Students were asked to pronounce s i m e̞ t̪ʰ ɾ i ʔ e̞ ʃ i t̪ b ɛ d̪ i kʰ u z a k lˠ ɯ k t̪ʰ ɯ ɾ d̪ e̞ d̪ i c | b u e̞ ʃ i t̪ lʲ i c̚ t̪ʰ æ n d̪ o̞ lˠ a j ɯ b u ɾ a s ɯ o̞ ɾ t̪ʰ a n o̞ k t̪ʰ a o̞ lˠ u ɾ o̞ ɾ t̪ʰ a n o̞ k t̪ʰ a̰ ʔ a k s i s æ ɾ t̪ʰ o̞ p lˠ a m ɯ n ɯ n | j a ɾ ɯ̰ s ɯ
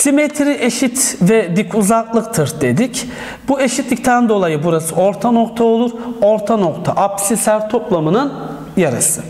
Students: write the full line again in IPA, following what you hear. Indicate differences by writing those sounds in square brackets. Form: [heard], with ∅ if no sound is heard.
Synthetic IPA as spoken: s i m e̞ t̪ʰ ɾ i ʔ e̞ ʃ i t̪ [v] ɛ d̪ i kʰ u z a k lˠ ɯ k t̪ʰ ɯ ɾ d̪ e̞ d̪ i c | b u e̞ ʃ i t̪ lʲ i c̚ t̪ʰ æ n d̪ o̞ lˠ a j ɯ b u ɾ a s ɯ o̞ ɾ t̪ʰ a n o̞ k t̪ʰ a o̞ lˠ u ɾ o̞ ɾ t̪ʰ a n o̞ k t̪ʰ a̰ ʔ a [p] s i s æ ɾ t̪ʰ o̞ p lˠ a m ɯ n ɯ n | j a ɾ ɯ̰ s ɯ